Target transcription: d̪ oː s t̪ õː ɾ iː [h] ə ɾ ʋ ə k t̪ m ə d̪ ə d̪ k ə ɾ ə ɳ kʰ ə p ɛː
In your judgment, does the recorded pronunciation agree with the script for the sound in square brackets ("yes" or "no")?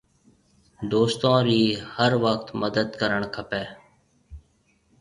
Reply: yes